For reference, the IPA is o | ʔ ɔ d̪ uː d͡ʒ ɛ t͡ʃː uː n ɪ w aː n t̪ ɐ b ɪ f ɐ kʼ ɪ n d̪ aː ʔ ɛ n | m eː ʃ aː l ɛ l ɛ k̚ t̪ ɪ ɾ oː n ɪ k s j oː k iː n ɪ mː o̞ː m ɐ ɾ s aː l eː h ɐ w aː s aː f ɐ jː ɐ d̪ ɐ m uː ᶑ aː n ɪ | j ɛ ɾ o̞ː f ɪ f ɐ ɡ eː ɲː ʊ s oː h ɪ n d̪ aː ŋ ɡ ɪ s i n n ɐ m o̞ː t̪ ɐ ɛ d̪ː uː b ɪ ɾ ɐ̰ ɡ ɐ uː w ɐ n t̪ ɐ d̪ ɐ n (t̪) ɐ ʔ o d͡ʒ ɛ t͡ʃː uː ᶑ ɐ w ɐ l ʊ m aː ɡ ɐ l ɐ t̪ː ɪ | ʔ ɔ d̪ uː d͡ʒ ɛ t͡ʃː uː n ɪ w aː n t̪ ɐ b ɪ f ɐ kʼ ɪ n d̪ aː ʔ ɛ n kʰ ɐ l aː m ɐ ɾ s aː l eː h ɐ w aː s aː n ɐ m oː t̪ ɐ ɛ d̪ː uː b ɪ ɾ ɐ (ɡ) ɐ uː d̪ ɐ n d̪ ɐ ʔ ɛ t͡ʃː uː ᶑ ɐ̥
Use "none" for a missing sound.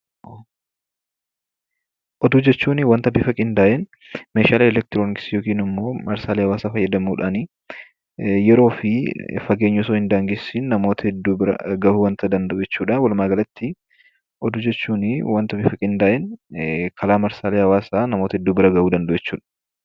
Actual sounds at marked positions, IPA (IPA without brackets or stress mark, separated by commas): d̪, ɡ